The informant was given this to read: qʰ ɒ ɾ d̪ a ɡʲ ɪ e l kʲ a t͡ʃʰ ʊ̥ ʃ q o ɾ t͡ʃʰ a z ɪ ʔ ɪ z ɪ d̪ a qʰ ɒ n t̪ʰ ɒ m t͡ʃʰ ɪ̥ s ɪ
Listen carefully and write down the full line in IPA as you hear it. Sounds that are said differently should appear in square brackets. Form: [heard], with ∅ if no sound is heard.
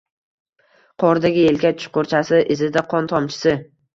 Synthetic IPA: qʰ ɒ ɾ d̪ a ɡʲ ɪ e l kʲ a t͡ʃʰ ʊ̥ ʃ q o ɾ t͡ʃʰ a [s] ɪ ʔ ɪ z ɪ d̪ a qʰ ɒ n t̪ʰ ɒ m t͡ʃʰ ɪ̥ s ɪ